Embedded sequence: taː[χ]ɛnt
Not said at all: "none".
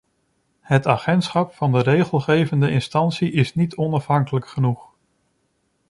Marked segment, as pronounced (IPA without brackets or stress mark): χ